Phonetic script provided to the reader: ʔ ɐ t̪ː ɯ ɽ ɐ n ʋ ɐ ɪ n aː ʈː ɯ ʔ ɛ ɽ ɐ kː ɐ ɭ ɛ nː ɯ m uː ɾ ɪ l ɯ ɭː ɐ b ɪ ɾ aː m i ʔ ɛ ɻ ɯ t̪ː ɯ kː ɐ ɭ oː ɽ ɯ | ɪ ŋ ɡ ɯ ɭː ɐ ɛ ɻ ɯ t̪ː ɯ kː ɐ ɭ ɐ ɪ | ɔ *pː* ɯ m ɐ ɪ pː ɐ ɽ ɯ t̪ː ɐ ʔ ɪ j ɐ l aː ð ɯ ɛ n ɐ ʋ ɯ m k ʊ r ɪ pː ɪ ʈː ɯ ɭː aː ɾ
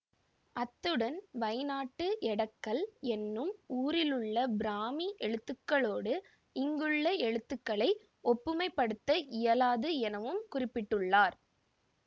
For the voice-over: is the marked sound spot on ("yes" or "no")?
yes